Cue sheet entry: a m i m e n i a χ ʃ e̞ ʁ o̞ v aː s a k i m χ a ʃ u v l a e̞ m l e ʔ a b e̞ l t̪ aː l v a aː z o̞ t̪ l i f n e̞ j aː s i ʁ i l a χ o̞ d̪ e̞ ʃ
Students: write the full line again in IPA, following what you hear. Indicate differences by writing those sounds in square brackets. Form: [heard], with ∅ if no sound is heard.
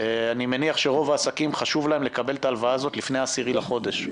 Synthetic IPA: a [n] i m e n i a χ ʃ e̞ ʁ o̞ v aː s a k i m χ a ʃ u v l a e̞ m l e [k] a b e̞ l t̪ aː l v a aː z o̞ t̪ l i f n e̞ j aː s i ʁ i l a χ o̞ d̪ e̞ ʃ